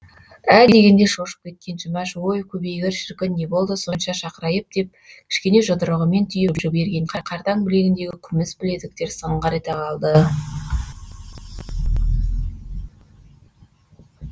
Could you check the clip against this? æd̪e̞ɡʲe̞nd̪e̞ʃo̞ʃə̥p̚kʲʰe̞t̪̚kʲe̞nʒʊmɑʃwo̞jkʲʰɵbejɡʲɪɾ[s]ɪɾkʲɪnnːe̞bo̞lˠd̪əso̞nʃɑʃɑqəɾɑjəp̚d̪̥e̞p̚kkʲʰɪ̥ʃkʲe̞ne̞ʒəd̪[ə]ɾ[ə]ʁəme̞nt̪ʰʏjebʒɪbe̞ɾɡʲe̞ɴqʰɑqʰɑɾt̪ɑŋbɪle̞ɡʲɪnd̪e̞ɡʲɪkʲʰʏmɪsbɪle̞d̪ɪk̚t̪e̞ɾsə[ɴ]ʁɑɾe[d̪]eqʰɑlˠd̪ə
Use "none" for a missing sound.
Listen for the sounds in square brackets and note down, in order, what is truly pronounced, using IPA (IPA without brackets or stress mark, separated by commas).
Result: ʃ, ə, ə, ɴ, t̪